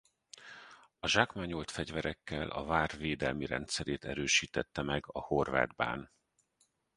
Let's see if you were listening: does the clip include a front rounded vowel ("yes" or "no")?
yes